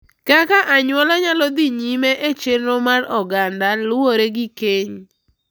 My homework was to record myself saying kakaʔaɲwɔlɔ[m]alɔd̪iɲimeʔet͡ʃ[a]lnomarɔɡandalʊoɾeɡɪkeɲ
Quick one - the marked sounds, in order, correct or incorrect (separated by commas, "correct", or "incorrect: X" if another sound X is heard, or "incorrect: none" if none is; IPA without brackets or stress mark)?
incorrect: ɲ, incorrect: e